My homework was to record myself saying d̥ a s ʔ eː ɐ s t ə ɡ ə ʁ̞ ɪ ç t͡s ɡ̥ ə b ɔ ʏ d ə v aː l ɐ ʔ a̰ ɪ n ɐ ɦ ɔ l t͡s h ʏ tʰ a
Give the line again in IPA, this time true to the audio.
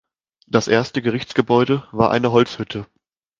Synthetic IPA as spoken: d̥ a s ʔ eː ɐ s t ə ɡ ə ʁ̞ ɪ ç t͡s ɡ̥ ə b ɔ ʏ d ə v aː ɐ ʔ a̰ ɪ n ə ɦ ɔ l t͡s h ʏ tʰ ə

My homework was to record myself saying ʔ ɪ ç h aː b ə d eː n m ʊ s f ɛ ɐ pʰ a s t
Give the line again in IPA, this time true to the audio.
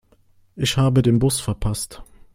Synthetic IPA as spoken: ʔ ɪ ç h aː b ə d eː n b ʊ s f ɛ ɐ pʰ a s t

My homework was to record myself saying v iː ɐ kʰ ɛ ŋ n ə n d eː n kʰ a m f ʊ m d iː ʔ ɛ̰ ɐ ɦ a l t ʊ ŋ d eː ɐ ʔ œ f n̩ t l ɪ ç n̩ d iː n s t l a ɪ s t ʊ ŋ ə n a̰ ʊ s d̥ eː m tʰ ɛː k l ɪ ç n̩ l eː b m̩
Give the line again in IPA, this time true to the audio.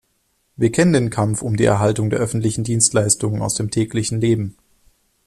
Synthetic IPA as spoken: v iː ɐ kʰ ɛ n ə n d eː n kʰ a m f ʊ m d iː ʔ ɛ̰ ɐ ɦ a l t ʊ ŋ d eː ɐ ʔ œ f n̩ t l ɪ ç n̩ d iː n s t l a ɪ s t ʊ ŋ ə n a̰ ʊ s d̥ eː m tʰ ɛː k l ɪ ç n̩ l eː b m̩

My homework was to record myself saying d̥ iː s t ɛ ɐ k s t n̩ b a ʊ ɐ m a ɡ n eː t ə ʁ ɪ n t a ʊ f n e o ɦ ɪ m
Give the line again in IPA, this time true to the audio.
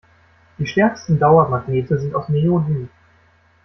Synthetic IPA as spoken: d̥ iː ʃ t ɛ ɐ k s t n̩ d a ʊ ɐ m a ɡ n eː t ə z ɪ n t a ʊ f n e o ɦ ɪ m

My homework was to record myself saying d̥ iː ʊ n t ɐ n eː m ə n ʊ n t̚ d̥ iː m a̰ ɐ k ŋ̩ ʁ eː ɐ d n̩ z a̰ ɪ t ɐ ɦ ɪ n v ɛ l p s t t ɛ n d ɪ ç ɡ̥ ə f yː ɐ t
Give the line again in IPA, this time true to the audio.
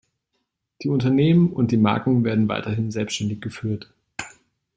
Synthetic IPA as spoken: d̥ iː ʊ n t ɐ n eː m ə n ʊ n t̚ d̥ iː m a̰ ɐ k ŋ̩ v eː ɐ d n̩ v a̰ ɪ t ɐ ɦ ɪ n z ɛ l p s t t ɛ n d ɪ ç ɡ̥ ə f yː ɐ t

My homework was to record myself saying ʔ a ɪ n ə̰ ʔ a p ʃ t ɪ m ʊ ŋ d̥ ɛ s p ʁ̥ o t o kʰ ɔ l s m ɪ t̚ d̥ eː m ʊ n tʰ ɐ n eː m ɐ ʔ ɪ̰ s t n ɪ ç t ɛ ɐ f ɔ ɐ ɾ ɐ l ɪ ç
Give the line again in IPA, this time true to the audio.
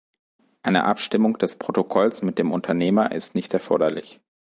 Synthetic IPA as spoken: ʔ a ɪ n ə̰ ʔ a p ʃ t ɪ m ʊ ŋ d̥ ɛ s p ʁ̥ o t o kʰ ɔ l s m ɪ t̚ d̥ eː m ʊ n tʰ ɐ n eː m ɐ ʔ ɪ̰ s t n ɪ ç t ɛ ɐ f ɔ ɐ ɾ ɐ l ɪ ç

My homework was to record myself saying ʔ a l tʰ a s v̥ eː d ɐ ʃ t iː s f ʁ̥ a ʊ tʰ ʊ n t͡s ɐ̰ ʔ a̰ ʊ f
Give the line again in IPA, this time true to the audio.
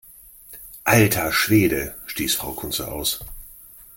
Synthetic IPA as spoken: ʔ a l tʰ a ʃ v̥ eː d ə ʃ t iː s f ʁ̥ a ʊ kʰ ʊ n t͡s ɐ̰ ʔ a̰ ʊ s

